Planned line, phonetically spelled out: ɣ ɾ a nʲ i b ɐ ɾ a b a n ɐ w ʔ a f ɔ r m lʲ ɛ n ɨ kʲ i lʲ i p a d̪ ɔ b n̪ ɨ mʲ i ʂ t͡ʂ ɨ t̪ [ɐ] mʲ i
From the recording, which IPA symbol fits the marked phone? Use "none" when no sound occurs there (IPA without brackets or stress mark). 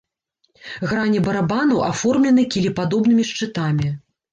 a